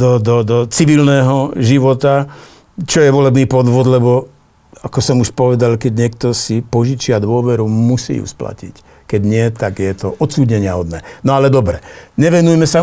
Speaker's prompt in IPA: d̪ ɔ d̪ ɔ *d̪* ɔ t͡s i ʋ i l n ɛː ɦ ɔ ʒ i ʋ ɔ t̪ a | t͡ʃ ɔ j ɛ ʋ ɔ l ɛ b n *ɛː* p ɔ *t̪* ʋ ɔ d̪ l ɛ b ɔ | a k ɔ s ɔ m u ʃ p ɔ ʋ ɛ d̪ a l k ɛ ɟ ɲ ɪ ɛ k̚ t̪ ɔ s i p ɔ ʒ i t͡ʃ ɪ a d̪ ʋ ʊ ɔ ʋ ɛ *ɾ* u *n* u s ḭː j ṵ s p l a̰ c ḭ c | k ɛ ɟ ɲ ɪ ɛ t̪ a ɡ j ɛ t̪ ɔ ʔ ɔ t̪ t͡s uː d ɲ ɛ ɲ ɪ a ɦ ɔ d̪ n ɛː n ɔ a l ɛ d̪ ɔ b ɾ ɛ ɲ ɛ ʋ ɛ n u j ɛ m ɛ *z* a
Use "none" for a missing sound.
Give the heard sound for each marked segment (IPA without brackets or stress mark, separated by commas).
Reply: d̪, iː, d̪, ɾ, m, s